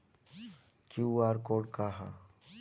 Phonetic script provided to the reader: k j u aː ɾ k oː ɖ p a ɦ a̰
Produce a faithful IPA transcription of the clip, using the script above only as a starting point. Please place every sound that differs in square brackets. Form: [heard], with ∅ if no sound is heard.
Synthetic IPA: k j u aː ɾ k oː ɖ [k] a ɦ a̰

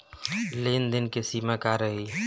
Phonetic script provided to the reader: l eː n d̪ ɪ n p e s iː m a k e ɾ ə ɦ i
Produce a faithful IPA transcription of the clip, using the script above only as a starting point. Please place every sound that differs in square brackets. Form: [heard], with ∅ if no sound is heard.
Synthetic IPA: l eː n d̪ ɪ n [k] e s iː m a k [a] ɾ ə ɦ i

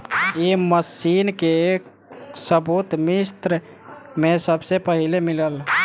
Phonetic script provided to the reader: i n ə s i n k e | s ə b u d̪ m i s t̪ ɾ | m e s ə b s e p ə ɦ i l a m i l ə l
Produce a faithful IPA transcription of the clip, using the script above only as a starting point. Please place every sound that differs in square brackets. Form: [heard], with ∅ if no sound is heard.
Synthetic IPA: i [m] ə s i n k e | s ə b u [t̪] m i s t̪ ɾ | m e s ə b s e p ə ɦ i l [e] m i l ə l

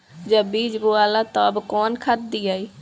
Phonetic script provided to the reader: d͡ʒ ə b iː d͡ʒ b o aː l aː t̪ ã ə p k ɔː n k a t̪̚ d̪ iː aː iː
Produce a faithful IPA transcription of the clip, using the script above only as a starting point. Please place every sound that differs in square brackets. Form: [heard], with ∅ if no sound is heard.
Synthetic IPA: d͡ʒ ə b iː d͡ʒ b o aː l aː t̪ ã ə [b] k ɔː n [kʰ] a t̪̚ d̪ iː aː iː

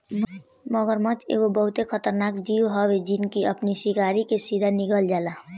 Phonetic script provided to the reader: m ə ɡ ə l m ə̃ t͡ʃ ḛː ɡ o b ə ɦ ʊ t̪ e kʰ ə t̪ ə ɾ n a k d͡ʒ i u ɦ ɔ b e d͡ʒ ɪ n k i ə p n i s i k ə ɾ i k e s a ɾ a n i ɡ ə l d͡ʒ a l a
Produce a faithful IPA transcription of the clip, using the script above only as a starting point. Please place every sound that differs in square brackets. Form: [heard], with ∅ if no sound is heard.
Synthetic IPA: m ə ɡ ə [ɾ] m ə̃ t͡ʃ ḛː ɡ o b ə ɦ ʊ t̪ e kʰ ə t̪ ə ɾ n a k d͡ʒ i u ɦ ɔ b e d͡ʒ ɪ n k i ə p n i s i k [a] ɾ i k e s [i] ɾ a n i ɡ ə l d͡ʒ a l a

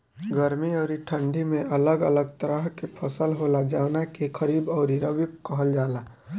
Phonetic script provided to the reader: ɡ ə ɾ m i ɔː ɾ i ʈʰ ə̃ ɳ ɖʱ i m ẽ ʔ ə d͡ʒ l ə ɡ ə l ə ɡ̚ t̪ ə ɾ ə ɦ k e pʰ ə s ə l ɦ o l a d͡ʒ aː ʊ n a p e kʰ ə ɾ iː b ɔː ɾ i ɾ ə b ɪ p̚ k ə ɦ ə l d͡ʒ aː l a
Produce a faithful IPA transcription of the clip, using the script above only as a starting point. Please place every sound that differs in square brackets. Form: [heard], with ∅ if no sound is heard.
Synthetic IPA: ɡ ə ɾ m i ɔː ɾ i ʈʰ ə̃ ɳ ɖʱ i m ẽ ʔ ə [∅] l ə ɡ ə l ə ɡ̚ t̪ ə ɾ ə ɦ k e pʰ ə s ə l ɦ o l a d͡ʒ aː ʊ n a [k] e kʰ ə ɾ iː b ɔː ɾ i ɾ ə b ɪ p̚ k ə ɦ ə l d͡ʒ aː l a

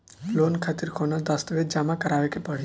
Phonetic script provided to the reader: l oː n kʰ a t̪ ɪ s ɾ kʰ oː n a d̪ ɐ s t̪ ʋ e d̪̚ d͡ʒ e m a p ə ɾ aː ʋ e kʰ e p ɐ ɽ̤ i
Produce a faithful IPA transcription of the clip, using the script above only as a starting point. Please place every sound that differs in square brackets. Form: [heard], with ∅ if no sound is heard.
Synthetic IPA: l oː n kʰ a t̪ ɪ [∅] ɾ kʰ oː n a d̪ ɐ s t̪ ʋ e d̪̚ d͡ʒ [a] m a [k] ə ɾ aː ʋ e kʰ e p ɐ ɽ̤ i

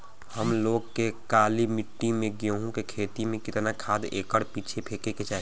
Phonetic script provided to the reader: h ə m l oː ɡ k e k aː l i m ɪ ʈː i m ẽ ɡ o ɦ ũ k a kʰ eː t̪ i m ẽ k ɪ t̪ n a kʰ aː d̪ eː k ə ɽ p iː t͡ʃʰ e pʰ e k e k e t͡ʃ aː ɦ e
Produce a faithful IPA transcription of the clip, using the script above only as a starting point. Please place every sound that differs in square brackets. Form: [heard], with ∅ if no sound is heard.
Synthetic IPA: h ə m l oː ɡ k e k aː l i m ɪ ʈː i m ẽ ɡ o ɦ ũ k [e] kʰ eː t̪ i m ẽ k ɪ t̪ n a kʰ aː d̪ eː k ə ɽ p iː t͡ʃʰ e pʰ e k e k e t͡ʃ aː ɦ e

